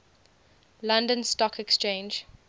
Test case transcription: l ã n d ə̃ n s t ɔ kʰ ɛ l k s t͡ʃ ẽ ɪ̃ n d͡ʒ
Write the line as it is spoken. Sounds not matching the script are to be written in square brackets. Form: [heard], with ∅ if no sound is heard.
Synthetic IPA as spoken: l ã n d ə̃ n s t ɔ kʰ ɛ [∅] k s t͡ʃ ẽ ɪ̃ n d͡ʒ